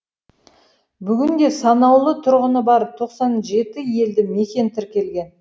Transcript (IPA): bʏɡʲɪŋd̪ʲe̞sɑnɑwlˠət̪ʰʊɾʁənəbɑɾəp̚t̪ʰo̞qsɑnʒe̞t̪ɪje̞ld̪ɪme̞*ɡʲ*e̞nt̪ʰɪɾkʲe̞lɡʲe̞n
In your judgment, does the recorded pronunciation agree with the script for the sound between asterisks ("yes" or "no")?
no